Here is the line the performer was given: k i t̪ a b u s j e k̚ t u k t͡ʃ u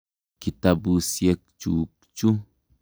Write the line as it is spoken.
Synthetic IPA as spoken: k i t̪ a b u s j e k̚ t͡ʃ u k t͡ʃ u